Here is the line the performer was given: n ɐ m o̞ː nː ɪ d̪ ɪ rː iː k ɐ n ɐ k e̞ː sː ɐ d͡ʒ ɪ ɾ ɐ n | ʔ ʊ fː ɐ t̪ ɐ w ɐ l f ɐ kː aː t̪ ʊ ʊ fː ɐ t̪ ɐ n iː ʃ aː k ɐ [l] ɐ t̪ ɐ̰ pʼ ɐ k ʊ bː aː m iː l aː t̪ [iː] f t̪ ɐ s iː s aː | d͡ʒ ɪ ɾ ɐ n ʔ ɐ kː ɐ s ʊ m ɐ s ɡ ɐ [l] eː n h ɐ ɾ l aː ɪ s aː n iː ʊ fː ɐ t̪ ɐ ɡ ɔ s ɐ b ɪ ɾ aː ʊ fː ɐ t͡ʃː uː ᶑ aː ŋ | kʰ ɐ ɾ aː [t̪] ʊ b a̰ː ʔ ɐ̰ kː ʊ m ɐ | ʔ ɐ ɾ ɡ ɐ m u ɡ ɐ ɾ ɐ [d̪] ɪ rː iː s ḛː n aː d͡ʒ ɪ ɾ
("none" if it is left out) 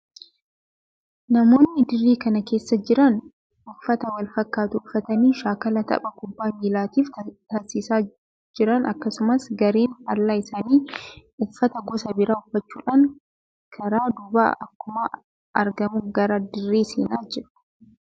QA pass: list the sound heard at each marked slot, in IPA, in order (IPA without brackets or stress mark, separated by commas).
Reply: l, iː, ɾ, d̪, d̪